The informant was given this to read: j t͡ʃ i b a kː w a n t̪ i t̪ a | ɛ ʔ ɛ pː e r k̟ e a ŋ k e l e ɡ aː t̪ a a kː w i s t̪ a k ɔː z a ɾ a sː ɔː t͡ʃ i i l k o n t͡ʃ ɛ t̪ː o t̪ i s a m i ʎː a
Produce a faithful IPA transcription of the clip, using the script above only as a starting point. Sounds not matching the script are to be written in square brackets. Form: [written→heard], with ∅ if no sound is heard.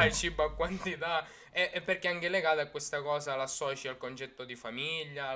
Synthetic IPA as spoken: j t͡ʃ i b a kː w a n t̪ i t̪ a | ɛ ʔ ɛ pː e r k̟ e a ŋ k e l e ɡ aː t̪ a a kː w [i→e] s t̪ a k ɔː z a [ɾ→l] a sː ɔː t͡ʃ i [i→a] l k o n t͡ʃ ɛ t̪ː o [t̪→d̪] i [s→f] a m i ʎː a